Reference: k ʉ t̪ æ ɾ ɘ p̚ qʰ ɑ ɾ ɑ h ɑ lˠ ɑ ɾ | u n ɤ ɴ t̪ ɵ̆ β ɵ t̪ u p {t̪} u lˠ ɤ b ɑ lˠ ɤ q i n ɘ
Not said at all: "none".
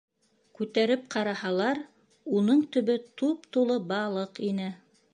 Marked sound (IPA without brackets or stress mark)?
t̪